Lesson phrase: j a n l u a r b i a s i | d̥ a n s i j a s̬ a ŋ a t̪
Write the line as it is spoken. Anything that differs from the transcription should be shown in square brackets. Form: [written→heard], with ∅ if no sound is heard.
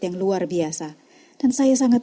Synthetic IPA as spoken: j a [n→ŋ] l u a r b i a s [i→a] | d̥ a n s [i→a] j a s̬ a ŋ a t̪